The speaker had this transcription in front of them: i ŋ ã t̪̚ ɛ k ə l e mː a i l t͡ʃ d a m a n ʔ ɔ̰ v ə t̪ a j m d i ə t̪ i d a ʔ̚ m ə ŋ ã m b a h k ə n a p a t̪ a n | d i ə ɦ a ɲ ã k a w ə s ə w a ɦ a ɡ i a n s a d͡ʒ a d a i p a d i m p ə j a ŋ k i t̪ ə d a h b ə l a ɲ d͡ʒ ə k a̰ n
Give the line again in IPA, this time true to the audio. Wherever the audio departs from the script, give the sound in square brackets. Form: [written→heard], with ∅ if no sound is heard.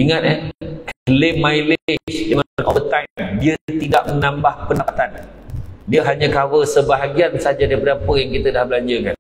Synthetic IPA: i ŋ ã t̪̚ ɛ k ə l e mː a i l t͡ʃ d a [m→ŋ] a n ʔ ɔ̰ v ə t̪ a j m d i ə t̪ i d a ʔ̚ m ə [ŋ→n] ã m b a h [k→p] ə n a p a t̪ a n | d i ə ɦ a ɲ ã k a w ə s ə [w→b] a ɦ a ɡ i a n s a d͡ʒ a d a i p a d [i→a] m p ə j a ŋ k i t̪ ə d a h b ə l a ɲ d͡ʒ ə k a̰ n